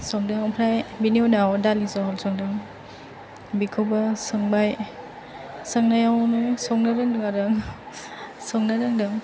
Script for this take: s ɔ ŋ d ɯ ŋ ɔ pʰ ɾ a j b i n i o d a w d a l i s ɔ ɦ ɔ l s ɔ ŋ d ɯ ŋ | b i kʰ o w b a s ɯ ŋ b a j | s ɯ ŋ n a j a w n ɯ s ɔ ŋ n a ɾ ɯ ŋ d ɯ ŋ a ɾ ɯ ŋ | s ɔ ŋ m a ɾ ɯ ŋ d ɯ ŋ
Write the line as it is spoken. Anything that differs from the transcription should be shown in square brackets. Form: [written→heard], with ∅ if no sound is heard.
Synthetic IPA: s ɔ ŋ d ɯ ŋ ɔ pʰ ɾ a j b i n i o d a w d a l i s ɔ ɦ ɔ l s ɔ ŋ d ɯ ŋ | b i kʰ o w b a s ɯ ŋ b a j | s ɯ ŋ n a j a w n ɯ s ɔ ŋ n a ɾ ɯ ŋ d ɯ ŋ a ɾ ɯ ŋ | s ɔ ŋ [m→n] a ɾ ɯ ŋ d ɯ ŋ